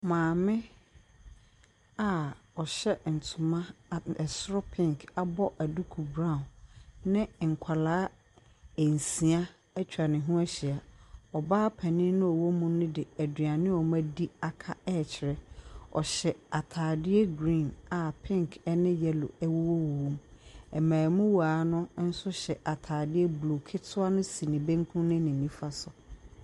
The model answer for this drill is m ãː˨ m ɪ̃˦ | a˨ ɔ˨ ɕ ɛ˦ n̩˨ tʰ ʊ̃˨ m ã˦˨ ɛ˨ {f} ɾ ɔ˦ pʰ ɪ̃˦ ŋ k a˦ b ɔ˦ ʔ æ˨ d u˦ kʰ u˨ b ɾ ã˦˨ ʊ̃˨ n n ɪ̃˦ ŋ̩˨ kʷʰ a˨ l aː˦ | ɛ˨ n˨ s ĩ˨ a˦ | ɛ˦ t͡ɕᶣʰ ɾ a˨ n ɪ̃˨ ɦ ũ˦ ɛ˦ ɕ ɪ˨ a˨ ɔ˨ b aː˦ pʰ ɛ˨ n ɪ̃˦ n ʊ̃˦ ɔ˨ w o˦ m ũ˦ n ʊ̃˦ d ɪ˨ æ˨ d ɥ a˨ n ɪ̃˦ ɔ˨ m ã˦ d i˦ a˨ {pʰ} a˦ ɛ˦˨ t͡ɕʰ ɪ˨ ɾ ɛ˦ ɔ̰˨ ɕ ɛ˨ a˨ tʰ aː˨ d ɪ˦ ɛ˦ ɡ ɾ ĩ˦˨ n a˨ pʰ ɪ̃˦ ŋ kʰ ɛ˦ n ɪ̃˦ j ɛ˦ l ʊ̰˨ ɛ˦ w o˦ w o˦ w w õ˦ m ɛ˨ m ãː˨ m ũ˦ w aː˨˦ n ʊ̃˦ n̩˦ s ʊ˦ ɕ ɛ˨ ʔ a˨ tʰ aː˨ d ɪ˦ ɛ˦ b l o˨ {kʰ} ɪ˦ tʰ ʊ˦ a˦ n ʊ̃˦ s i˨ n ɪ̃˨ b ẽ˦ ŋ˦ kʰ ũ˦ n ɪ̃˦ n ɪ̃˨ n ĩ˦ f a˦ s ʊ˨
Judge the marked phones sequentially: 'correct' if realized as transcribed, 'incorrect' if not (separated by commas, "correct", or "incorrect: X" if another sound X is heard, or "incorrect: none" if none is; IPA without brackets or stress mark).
incorrect: s, incorrect: kʰ, correct